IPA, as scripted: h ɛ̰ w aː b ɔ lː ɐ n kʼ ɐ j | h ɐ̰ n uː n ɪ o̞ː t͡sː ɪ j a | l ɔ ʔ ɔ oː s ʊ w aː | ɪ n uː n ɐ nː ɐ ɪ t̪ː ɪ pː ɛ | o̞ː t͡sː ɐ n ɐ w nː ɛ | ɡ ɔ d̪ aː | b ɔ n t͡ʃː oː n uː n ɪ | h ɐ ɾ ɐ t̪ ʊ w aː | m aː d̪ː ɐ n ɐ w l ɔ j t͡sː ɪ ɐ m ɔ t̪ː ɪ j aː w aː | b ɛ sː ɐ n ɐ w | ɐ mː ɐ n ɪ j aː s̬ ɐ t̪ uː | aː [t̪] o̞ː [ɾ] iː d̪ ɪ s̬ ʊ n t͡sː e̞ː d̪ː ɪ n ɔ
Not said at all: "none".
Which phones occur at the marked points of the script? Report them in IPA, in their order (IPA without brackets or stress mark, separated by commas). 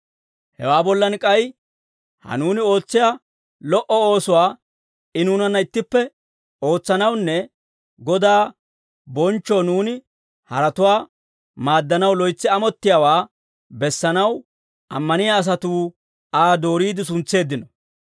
d̪, ɾ